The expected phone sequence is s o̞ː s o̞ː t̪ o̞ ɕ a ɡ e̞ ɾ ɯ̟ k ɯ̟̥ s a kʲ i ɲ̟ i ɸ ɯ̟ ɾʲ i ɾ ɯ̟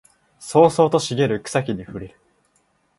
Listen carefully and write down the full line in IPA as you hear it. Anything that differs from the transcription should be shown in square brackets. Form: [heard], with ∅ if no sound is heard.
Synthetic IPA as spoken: s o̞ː s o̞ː t̪ o̞ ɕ [i] ɡ e̞ ɾ ɯ̟ k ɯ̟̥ s a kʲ i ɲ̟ i ɸ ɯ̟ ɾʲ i ɾ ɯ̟